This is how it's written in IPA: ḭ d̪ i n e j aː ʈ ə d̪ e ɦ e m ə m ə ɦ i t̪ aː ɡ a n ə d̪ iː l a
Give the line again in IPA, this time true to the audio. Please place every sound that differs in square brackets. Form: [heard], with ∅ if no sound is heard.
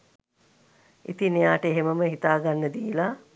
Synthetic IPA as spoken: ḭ [t̪] i n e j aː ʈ ə [∅] e ɦ e m ə m ə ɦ i t̪ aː ɡ a [nː] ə d̪ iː l a